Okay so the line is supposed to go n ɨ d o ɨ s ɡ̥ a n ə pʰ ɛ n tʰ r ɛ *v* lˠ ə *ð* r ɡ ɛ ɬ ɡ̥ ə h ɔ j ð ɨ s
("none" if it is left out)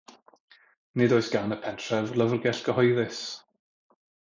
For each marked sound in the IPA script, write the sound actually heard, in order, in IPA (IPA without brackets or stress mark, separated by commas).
v, v